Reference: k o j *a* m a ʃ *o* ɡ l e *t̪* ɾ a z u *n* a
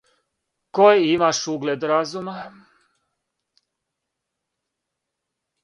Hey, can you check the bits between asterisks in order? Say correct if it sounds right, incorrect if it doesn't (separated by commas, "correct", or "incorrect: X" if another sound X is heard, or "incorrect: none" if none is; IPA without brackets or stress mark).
incorrect: i, incorrect: u, incorrect: d̪, incorrect: m